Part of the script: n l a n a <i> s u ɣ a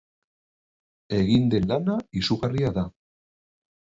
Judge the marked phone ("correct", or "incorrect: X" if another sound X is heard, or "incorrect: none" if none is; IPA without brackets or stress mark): correct